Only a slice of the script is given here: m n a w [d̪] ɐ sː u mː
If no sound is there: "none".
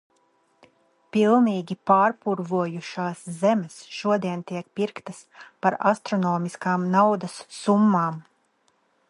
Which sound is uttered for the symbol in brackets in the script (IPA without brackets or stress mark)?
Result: d̪